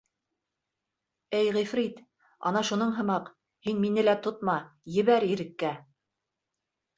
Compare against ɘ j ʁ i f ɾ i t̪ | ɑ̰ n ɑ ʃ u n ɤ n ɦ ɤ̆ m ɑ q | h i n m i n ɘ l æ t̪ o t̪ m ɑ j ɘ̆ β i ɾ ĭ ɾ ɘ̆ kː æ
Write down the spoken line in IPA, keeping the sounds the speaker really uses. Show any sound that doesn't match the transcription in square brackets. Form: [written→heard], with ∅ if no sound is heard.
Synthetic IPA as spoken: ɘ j ʁ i f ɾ i t̪ | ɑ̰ n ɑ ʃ u n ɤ [n→ɴ] ɦ ɤ̆ m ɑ q | h i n m i n ɘ l æ t̪ o t̪ m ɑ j ɘ̆ β [i→æ] ɾ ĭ ɾ ɘ̆ kː æ

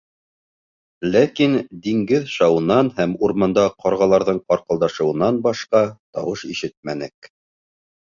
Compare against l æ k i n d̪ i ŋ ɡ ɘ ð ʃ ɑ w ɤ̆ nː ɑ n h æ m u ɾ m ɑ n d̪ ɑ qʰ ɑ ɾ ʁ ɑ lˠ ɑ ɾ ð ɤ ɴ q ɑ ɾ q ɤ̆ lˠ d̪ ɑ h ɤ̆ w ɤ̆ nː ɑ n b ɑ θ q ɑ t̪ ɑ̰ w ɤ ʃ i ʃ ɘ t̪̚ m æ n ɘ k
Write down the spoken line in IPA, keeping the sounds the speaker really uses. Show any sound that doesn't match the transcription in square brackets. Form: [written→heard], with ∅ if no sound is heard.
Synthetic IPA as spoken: l æ k i n d̪ i ŋ ɡ ɘ ð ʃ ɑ w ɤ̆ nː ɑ n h æ m u ɾ m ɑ n d̪ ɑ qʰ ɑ ɾ ʁ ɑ lˠ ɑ ɾ ð ɤ ɴ q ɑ ɾ q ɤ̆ lˠ d̪ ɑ [h→ʃ] ɤ̆ w ɤ̆ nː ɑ n b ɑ [θ→ʃ] q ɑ t̪ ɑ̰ w ɤ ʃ i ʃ ɘ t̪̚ m æ n ɘ k

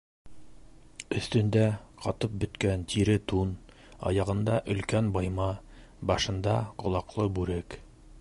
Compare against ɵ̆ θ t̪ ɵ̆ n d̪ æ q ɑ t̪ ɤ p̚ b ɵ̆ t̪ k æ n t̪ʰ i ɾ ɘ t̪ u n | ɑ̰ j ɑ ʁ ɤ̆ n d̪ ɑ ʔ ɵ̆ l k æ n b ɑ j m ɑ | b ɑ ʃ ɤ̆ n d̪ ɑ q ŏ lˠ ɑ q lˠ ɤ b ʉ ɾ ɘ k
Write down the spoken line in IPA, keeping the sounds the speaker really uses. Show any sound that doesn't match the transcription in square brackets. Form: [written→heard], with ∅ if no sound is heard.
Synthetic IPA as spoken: ɵ̆ θ t̪ ɵ̆ n d̪ æ q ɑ t̪ ɤ p̚ b ɵ̆ t̪ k æ n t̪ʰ i ɾ ɘ t̪ u n | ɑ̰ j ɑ ʁ ɤ̆ n d̪ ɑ ʔ ɵ̆ l k æ n b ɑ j m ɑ | b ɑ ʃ ɤ̆ n d̪ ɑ q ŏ lˠ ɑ q lˠ ɤ b ʉ ɾ ɘ k

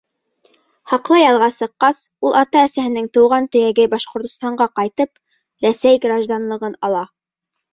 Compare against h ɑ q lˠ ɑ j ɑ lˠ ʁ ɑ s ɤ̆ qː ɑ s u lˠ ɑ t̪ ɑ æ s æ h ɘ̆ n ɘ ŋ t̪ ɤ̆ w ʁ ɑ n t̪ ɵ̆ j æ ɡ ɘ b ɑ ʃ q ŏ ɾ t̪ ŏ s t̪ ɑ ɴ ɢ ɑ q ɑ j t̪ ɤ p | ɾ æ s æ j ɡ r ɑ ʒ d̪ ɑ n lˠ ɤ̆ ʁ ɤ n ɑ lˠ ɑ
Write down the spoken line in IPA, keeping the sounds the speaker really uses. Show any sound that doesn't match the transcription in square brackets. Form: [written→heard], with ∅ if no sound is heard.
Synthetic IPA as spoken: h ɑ q lˠ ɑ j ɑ lˠ ʁ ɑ s ɤ̆ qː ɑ s u lˠ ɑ t̪ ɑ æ s æ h ɘ̆ n ɘ ŋ t̪ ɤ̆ w ʁ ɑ n t̪ ɵ̆ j æ ɡ ɘ b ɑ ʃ q ŏ ɾ t̪ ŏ s t̪ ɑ ɴ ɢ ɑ q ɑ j t̪ ɤ p | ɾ æ s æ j ɡ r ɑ ʒ d̪ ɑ n lˠ ɤ̆ ʁ ɤ n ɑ lˠ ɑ

